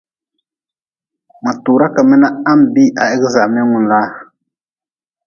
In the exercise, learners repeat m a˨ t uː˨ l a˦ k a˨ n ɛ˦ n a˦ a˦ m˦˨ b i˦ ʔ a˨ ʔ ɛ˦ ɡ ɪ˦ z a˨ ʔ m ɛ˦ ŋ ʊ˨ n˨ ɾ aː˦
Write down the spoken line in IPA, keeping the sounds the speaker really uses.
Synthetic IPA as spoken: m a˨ t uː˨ ɾ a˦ k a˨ m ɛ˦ n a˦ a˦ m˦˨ b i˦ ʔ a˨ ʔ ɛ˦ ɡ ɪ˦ z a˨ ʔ m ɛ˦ ŋ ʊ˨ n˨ l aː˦